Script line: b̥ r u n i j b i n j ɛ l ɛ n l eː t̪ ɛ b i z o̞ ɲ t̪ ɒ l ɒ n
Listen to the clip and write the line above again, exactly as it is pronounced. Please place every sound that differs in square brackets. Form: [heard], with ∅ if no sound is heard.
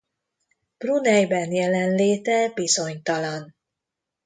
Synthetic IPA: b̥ r u n [ɛ] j b [ɛ] n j ɛ l ɛ n l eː t̪ ɛ b i z o̞ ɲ t̪ ɒ l ɒ n